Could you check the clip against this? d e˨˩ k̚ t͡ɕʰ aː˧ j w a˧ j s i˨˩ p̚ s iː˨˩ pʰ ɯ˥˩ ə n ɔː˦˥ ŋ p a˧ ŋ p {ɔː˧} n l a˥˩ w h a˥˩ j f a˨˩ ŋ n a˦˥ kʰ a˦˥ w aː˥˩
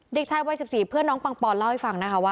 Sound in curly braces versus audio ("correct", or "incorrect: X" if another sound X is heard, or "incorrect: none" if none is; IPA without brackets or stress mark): correct